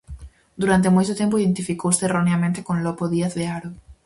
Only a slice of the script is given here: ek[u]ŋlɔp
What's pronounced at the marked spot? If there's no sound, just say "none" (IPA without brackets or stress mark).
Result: o